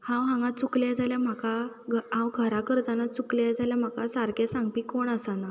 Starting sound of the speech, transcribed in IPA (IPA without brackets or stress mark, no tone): h